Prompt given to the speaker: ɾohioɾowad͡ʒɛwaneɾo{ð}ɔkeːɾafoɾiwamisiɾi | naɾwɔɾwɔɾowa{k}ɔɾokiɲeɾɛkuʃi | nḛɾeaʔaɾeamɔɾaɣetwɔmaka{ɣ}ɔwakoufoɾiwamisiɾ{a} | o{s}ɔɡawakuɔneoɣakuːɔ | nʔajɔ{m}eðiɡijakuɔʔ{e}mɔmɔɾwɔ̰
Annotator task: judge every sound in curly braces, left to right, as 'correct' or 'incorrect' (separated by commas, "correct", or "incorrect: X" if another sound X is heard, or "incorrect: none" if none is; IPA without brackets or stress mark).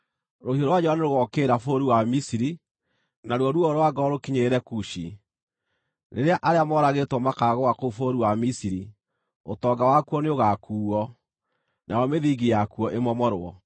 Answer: incorrect: ɣ, incorrect: ɡ, correct, incorrect: i, incorrect: t, correct, correct